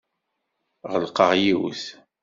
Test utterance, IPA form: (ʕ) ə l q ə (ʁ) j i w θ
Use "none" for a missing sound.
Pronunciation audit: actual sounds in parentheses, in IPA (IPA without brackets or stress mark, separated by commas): ʁ, ʁ